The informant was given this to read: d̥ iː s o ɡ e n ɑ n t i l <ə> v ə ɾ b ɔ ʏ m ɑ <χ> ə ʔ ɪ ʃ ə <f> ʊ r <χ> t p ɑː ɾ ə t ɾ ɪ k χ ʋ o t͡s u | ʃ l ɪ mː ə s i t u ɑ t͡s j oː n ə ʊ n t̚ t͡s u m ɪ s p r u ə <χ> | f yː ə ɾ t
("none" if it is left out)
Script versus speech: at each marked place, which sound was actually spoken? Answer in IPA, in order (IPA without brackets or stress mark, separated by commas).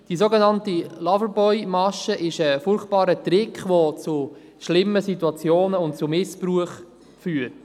ɑ, ʃ, f, χ, χ